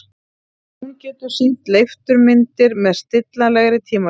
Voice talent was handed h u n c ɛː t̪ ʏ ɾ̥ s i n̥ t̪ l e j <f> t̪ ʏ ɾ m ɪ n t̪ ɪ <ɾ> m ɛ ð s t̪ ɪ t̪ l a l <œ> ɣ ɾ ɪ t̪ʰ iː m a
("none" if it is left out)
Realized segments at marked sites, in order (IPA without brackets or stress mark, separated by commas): f, ɾ, ɛ